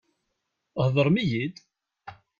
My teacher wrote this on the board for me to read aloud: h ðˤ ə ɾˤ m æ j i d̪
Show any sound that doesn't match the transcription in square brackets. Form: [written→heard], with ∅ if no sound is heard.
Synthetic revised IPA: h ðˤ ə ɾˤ m [æ→i] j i d̪